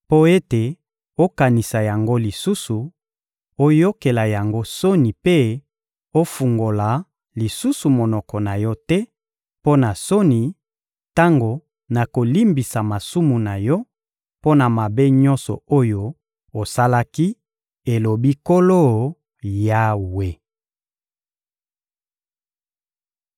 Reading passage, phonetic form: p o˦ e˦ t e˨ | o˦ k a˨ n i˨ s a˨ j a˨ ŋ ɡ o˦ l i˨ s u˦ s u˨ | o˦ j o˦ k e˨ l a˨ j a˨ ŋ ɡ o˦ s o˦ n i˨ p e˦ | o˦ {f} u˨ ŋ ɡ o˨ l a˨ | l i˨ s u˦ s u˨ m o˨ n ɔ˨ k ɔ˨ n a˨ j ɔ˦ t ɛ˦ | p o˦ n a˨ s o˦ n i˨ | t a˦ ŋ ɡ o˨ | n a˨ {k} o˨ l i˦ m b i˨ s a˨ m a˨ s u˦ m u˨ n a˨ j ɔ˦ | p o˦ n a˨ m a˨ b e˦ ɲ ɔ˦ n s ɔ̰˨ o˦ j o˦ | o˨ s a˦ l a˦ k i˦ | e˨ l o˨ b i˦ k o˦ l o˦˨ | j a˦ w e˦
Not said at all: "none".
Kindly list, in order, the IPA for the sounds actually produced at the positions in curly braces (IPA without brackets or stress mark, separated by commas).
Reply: f, k